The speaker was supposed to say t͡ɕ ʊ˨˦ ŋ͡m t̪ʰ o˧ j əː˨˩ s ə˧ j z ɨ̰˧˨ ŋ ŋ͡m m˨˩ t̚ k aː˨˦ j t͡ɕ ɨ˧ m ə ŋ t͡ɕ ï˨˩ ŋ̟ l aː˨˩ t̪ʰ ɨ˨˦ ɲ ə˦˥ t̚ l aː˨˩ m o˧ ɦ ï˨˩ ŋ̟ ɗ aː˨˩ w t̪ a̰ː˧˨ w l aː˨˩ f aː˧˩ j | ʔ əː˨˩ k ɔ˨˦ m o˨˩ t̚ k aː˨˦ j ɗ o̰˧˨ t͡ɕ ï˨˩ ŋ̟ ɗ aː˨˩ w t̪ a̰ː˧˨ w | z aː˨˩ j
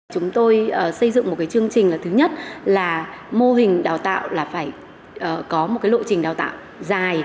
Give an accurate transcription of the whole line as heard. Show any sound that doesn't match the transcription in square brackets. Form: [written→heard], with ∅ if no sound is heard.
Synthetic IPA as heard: t͡ɕ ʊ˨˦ ŋ͡m [t̪ʰ→t̪] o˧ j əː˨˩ s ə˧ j z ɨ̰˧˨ ŋ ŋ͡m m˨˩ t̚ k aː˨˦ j t͡ɕ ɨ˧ [m→∅] ə ŋ t͡ɕ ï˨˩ ŋ̟ l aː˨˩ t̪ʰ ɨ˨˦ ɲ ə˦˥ t̚ l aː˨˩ m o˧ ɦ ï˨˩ ŋ̟ ɗ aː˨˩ w t̪ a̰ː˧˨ w l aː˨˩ f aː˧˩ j | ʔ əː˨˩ k ɔ˨˦ m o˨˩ t̚ k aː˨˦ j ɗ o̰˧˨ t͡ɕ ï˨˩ ŋ̟ ɗ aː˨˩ w t̪ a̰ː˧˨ w | z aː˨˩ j